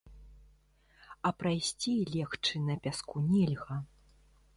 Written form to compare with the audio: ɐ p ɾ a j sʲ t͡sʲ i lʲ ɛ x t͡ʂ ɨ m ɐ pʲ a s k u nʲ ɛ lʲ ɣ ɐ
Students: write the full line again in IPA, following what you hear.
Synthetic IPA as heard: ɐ p ɾ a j sʲ t͡sʲ i lʲ ɛ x t͡ʂ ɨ n ɐ pʲ a s k u nʲ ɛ lʲ ɣ ɐ